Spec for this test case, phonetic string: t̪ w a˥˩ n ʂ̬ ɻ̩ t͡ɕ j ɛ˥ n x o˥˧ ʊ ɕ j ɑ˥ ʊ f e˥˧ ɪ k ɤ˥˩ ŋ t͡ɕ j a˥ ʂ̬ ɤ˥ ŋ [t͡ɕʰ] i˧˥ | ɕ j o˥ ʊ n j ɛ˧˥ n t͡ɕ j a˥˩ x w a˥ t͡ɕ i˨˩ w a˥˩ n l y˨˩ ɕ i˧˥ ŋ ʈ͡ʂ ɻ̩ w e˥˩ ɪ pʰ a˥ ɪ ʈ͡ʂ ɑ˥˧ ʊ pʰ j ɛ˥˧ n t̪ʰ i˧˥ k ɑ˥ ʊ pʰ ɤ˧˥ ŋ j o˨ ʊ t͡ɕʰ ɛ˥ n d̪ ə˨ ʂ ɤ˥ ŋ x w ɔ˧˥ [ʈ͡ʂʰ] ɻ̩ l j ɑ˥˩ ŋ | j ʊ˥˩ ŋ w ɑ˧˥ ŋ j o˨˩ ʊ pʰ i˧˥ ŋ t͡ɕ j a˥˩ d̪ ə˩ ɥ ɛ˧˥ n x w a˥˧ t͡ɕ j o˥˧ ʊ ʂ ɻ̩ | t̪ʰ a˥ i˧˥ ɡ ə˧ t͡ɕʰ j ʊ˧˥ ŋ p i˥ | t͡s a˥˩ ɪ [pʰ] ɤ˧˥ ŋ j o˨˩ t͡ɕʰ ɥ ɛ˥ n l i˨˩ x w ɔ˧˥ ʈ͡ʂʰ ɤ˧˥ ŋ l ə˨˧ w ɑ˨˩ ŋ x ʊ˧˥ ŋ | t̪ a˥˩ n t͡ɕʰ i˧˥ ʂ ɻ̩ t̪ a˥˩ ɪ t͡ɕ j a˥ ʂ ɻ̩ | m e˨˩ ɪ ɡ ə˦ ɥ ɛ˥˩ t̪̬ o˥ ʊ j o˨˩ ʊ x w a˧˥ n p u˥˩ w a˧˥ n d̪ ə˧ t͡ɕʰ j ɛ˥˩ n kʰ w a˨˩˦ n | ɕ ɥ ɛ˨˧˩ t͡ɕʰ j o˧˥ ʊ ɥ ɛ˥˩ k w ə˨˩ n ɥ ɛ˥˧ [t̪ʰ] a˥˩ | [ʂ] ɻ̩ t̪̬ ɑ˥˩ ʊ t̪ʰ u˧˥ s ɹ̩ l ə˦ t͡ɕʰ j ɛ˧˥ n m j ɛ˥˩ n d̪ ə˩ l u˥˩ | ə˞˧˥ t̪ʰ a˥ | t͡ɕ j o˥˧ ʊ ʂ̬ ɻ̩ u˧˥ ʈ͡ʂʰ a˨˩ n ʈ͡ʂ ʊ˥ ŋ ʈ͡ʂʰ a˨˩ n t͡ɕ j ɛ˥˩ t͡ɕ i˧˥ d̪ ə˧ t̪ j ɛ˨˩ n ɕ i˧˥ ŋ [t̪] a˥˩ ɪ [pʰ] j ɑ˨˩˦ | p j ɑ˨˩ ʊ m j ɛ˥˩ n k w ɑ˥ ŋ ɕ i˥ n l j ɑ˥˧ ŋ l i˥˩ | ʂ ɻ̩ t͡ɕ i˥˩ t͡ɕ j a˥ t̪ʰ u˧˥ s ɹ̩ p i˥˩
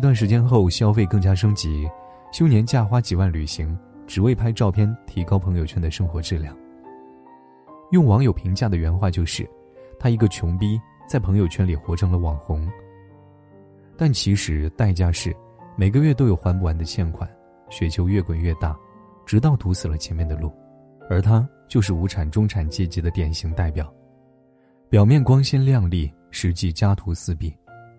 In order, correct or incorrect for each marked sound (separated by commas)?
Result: incorrect, incorrect, correct, incorrect, incorrect, correct, incorrect